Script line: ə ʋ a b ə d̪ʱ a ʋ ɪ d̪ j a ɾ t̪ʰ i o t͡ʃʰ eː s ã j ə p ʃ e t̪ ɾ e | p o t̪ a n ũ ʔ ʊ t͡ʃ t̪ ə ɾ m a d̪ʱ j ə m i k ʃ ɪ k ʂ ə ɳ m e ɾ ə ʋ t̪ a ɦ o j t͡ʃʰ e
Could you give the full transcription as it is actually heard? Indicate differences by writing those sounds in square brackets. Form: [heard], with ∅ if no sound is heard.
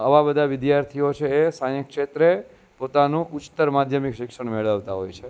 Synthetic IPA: ə ʋ a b ə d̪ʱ a ʋ ɪ d̪ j a ɾ t̪ʰ i o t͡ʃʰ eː s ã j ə [k] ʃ e t̪ ɾ e | p o t̪ a n ũ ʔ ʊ t͡ʃ t̪ ə ɾ m a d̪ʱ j ə m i k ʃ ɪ k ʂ ə ɳ m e [ɭ] ə ʋ t̪ a ɦ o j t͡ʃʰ e